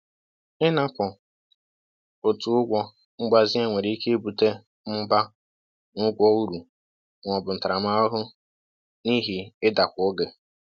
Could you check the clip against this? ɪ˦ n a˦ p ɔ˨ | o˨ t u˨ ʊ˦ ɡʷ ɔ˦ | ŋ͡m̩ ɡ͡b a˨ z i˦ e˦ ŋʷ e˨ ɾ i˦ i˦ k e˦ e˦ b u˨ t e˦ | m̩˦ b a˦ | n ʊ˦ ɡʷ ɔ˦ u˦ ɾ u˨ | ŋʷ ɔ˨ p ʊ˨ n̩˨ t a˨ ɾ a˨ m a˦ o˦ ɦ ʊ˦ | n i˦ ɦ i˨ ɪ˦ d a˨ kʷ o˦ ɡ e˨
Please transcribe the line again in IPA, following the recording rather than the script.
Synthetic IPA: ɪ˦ n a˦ p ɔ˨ | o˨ t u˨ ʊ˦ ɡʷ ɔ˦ | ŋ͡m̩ ɡ͡b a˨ z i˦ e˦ ŋʷ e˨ ɾ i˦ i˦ k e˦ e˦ b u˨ t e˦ | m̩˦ b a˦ | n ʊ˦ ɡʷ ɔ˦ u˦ ɾ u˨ | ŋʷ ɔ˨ b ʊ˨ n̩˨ t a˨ ɾ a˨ m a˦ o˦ ɦ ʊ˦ | n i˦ ɦ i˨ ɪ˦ d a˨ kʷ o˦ ɡ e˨